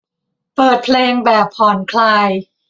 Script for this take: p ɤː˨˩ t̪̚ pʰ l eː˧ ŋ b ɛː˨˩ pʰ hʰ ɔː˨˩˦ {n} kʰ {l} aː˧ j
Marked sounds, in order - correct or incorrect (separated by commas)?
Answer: correct, correct